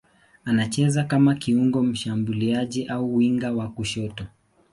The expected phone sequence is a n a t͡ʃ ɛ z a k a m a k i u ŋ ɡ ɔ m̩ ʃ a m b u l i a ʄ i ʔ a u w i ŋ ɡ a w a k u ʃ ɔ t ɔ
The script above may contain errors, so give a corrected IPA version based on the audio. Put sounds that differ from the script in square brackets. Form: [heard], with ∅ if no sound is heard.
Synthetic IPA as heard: a n a t͡ʃ ɛ z a k a m a k i u ŋ ɡ ɔ m̩ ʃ a m b u l i a ʄ i ʔ a u w i ŋ ɡ a w a k u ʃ ɔ t ɔ